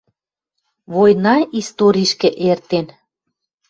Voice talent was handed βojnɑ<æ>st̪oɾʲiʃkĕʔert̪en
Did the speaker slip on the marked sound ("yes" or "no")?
yes